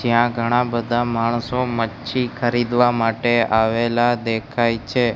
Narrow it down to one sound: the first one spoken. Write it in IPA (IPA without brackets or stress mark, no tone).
d͡ʒ